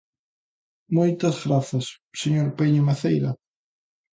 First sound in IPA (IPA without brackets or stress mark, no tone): m